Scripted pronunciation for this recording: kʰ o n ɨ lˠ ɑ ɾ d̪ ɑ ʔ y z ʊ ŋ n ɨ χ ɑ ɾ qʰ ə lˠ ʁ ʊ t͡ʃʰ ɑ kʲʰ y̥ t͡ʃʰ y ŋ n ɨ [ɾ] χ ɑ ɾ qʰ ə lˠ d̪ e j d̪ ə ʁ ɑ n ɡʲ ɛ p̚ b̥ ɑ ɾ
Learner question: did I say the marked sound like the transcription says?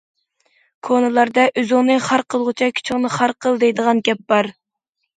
no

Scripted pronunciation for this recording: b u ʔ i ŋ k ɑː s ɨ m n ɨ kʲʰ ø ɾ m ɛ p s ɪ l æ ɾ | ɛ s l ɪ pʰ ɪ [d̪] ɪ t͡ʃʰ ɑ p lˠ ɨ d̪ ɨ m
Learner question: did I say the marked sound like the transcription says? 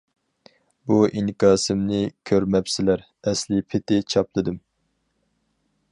no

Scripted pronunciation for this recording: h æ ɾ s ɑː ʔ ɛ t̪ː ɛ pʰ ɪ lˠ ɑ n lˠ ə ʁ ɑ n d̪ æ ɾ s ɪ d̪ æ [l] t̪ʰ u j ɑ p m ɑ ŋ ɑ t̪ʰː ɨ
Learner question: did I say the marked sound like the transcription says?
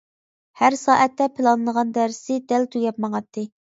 yes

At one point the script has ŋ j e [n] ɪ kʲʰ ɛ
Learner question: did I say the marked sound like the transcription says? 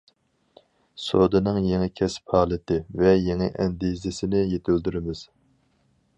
no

